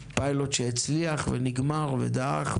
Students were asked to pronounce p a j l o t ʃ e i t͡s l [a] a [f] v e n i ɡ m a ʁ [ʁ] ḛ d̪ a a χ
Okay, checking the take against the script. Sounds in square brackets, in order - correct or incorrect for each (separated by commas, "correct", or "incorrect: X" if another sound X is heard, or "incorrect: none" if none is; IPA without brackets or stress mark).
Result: incorrect: i, incorrect: χ, incorrect: v